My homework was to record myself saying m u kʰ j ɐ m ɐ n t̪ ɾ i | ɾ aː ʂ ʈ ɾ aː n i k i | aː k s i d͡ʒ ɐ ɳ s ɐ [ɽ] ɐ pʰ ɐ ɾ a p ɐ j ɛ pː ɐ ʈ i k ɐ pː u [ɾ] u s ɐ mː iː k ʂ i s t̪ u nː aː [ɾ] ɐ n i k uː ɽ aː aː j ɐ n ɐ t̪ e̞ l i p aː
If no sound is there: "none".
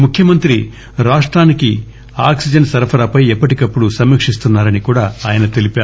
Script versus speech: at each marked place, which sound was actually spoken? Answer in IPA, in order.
ɾ, ɽ, ɾ

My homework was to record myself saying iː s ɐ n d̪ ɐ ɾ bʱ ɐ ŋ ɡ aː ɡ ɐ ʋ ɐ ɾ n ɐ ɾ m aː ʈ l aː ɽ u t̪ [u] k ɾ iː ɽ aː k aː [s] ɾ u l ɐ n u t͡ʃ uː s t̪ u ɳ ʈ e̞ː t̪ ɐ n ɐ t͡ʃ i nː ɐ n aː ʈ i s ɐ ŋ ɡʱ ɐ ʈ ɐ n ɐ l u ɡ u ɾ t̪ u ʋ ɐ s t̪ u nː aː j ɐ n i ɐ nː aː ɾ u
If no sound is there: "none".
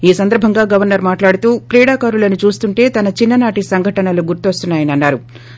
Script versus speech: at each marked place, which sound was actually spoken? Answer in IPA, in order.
uː, none

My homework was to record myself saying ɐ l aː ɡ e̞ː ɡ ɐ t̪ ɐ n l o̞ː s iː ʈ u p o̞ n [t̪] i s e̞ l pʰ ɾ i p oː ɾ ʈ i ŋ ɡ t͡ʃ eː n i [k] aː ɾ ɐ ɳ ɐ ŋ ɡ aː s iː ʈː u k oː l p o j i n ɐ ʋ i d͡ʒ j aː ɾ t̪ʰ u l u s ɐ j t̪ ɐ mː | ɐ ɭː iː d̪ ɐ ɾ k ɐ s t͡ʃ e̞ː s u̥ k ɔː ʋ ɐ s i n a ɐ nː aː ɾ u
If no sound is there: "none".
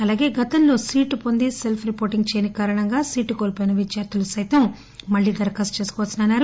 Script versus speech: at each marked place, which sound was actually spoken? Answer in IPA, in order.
d̪, k

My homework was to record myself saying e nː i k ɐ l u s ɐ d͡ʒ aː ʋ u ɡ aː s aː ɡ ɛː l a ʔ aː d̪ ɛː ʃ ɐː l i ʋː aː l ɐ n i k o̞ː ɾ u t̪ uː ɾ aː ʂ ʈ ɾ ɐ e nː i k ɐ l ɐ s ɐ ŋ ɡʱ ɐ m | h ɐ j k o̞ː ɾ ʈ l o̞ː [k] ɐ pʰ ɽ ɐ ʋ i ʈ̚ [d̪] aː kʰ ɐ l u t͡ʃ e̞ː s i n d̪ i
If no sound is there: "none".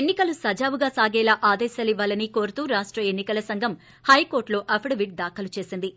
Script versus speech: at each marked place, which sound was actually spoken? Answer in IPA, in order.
ʔ, d̪

